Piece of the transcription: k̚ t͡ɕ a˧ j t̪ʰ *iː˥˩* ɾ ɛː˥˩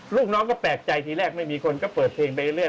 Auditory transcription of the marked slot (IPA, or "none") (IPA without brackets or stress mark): iː˧